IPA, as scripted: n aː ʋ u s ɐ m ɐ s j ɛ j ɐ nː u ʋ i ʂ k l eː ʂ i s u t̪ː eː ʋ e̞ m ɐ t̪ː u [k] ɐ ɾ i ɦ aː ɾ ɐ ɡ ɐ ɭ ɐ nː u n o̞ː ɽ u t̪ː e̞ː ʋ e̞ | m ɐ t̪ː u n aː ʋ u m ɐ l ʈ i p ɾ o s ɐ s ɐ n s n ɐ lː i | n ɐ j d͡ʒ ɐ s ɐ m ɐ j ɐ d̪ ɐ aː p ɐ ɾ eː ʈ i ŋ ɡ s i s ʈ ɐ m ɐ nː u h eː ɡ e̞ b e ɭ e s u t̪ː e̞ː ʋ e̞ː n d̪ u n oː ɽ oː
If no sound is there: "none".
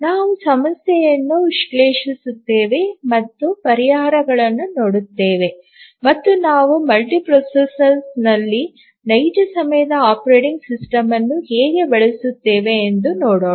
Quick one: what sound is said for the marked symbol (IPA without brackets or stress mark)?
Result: p